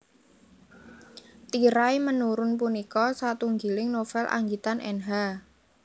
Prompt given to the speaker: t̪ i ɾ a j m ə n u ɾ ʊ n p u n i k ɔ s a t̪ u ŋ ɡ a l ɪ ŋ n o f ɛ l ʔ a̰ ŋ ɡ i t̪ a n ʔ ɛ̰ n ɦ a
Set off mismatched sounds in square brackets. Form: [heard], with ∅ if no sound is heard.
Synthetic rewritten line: t̪ i ɾ a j m ə n u ɾ ʊ n p u n i k ɔ s a t̪ u ŋ ɡ [i] l ɪ ŋ n o f ɛ l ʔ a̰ ŋ ɡ i t̪ a n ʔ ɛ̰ n ɦ a